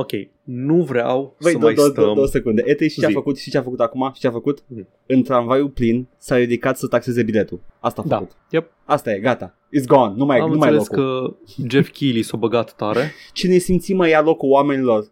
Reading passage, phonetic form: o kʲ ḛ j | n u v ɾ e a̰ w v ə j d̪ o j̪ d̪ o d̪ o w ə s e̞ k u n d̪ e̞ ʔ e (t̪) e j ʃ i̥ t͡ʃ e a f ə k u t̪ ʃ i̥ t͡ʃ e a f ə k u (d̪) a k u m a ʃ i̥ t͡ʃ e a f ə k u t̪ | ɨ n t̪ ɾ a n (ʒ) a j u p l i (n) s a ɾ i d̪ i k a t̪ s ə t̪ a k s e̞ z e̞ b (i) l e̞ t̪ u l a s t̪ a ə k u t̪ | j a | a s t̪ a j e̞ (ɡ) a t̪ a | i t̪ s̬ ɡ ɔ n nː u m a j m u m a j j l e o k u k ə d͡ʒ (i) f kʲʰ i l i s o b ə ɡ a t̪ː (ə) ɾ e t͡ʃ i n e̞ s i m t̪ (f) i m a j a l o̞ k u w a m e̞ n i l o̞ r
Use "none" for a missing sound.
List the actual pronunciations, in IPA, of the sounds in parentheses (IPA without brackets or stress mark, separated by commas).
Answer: t̪, t̪, v, n, i, ɡ, e, a, s